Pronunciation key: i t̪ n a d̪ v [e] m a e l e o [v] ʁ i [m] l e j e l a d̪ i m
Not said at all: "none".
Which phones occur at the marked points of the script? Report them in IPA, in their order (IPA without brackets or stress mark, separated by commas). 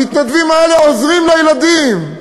i, z, m